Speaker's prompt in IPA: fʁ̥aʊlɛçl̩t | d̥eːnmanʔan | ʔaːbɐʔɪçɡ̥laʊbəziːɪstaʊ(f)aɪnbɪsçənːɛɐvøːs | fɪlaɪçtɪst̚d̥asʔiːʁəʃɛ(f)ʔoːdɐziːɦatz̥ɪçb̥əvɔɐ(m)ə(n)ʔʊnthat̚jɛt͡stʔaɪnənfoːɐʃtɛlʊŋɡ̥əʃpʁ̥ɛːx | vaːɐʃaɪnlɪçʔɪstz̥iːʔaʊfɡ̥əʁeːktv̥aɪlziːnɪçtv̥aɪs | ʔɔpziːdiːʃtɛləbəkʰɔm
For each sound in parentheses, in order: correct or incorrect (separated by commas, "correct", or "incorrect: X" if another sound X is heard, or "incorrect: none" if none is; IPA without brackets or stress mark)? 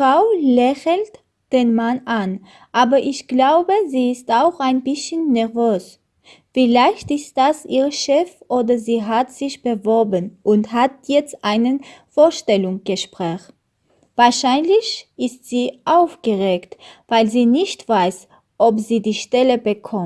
incorrect: x, correct, incorrect: b, correct